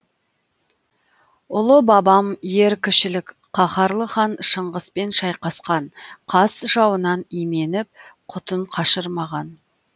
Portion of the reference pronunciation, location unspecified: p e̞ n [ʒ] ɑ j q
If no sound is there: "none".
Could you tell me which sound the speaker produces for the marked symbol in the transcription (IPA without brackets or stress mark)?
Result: ʃ